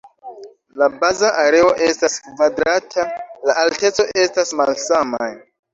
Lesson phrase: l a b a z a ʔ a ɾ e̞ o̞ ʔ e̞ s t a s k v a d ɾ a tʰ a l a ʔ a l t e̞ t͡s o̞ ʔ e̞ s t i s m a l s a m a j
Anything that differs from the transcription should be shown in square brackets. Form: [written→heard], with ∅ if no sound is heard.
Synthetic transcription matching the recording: l a b a z a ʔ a ɾ e̞ o̞ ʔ e̞ s t a s k v a d ɾ a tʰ a l a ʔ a l t e̞ t͡s o̞ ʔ e̞ s t [i→a] s m a l s a m a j